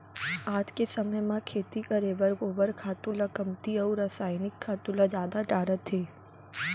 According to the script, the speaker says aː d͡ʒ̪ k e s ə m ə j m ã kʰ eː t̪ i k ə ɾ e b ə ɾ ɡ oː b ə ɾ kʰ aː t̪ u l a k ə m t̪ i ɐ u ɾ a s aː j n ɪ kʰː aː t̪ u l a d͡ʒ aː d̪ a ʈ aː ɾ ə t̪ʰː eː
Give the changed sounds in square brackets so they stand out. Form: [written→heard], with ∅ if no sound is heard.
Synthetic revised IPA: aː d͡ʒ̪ k e s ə m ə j m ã kʰ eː t̪ i k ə ɾ e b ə ɾ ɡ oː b ə ɾ kʰ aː t̪ u l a k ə m t̪ i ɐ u ɾ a s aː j n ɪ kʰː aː t̪ u l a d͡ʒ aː d̪ a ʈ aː ɾ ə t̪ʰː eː

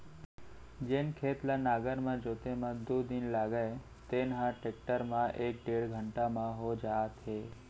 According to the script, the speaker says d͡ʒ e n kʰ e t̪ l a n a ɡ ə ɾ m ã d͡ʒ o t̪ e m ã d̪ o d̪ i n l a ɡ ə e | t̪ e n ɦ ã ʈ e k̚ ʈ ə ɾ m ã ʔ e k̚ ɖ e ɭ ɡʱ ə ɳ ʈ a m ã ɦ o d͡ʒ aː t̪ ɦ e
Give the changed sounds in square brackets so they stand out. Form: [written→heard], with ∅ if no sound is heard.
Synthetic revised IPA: d͡ʒ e n kʰ e t̪ l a n a ɡ ə ɾ m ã d͡ʒ o t̪ e m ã d̪ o d̪ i n l a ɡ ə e | t̪ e n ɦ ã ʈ e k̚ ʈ ə ɾ m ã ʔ e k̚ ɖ e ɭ ɡʱ ə ɳ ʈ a m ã ɦ o d͡ʒ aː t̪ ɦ e

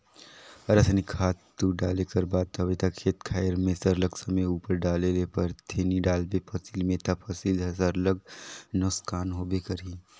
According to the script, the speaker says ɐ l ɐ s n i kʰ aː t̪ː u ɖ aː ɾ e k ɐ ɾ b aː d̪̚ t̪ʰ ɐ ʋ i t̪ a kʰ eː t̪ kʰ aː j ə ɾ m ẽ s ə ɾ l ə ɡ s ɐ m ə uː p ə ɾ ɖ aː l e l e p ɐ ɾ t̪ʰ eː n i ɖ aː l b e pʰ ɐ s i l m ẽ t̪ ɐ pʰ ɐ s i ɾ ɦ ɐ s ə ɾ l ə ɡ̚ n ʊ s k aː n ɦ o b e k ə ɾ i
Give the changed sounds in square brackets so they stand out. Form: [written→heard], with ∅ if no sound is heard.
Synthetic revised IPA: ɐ [l→ɾ] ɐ s n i kʰ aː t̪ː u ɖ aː [ɾ→l] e k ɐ ɾ b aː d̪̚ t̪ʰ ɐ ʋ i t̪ a kʰ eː t̪ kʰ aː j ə ɾ m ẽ s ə ɾ l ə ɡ s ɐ m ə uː p ə ɾ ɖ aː l e l e p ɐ ɾ t̪ʰ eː n i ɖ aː l b e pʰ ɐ s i l m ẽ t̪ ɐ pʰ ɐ s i [ɾ→l] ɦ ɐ s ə ɾ l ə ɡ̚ n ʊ s k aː n ɦ o b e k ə ɾ i

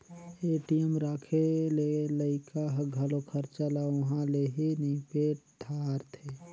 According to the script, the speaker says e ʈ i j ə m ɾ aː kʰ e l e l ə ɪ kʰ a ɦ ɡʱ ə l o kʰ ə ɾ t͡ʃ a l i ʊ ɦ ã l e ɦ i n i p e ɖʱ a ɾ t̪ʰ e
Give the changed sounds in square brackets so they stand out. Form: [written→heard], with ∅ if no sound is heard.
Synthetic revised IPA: e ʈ i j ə m ɾ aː kʰ e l e l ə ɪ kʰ a ɦ ɡʱ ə l o kʰ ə ɾ t͡ʃ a l [i→a] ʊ ɦ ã l e ɦ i n i p e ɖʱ a ɾ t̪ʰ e

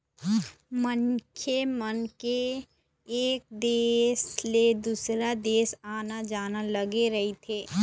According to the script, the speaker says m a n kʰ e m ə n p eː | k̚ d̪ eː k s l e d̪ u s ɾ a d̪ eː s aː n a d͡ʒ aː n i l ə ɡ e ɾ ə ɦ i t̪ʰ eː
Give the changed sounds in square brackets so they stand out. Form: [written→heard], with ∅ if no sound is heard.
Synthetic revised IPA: m [a→ə] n kʰ e m ə n [p→k] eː | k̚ d̪ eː [k→∅] s l e d̪ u s ɾ a d̪ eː s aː n a d͡ʒ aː n [i→a] l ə ɡ e ɾ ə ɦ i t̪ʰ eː

